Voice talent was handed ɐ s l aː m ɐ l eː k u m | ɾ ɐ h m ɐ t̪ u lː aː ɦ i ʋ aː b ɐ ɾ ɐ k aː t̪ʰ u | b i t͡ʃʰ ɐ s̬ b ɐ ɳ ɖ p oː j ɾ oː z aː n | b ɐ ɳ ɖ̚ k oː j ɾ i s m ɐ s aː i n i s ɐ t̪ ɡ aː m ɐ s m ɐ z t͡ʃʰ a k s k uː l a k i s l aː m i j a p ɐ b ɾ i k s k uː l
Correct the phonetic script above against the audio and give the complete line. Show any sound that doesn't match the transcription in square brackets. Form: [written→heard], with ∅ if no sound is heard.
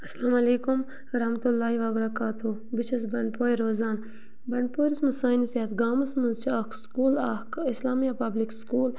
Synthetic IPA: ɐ s l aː m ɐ l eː k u m | ɾ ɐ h m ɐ t̪ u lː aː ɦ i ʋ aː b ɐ ɾ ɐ k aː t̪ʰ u | b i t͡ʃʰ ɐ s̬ b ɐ ɳ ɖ p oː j ɾ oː z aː n | b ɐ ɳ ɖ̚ [k→p] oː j ɾ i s m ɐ s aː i n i s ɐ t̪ ɡ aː m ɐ s m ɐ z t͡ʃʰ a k s k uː l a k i s l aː m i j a p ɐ b [ɾ→l] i k s k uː l